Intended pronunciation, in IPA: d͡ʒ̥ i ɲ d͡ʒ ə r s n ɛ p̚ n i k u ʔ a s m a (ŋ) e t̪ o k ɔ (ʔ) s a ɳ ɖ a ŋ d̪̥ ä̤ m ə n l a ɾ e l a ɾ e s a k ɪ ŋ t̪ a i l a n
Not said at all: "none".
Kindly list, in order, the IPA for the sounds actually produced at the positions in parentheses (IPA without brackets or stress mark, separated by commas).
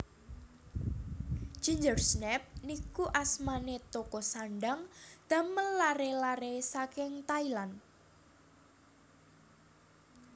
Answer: n, none